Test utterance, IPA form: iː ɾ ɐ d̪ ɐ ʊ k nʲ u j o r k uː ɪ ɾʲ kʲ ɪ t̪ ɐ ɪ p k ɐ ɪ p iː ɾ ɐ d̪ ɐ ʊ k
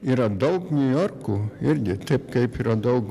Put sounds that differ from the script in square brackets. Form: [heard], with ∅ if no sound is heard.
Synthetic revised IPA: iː ɾ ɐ d̪ ɐ ʊ k nʲ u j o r k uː ɪ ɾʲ [ɡʲ] ɪ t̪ ɐ ɪ p k ɐ ɪ p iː ɾ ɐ d̪ ɐ ʊ k